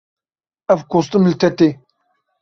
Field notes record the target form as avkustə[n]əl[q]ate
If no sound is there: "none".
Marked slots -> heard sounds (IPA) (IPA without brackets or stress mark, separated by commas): m, t